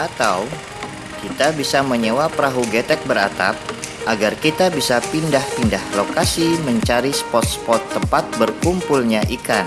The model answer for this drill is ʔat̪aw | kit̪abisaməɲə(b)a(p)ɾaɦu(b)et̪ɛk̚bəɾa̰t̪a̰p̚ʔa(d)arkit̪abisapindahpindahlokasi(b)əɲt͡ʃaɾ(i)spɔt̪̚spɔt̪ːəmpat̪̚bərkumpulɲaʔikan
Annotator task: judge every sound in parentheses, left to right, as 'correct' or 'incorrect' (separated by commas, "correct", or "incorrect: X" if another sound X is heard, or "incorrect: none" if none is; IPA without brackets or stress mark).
incorrect: w, correct, incorrect: ɡ, incorrect: ɡ, incorrect: m, correct